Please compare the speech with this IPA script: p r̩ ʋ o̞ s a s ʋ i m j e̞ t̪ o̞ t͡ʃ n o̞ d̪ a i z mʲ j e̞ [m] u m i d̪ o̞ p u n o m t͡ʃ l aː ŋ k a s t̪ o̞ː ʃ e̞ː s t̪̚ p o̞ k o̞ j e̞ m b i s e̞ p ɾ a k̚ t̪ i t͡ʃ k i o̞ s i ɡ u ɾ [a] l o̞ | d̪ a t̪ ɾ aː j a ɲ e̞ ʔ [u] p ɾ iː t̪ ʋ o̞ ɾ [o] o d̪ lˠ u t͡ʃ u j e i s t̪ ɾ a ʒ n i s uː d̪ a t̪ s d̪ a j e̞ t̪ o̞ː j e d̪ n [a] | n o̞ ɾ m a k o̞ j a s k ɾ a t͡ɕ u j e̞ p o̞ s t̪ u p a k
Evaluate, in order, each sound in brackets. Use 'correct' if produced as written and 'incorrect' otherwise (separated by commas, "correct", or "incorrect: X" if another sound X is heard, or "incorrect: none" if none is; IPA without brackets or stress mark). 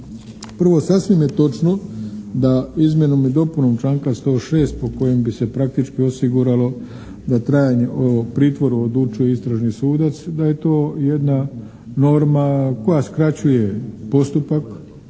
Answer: incorrect: n, correct, incorrect: o, incorrect: u, correct